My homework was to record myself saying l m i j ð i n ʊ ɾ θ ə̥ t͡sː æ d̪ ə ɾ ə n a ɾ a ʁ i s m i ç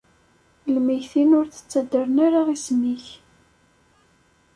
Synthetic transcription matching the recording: l m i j θ i n ʊ ɾ θ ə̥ t͡sː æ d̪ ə ɾ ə n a ɾ a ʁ i s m i ç